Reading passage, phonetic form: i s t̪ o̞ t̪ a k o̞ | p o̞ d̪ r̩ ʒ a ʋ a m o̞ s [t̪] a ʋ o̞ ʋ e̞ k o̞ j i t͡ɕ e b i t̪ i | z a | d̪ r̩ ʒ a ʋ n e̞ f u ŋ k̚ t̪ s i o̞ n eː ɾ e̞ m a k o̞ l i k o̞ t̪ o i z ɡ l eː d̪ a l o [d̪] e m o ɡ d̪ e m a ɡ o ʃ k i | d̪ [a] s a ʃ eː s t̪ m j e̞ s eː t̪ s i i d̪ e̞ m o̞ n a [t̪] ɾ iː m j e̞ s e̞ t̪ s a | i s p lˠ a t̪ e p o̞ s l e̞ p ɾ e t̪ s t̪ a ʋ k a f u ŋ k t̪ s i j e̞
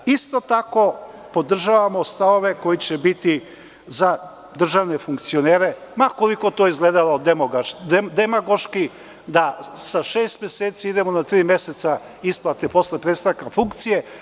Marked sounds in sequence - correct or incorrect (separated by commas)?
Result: correct, correct, correct, correct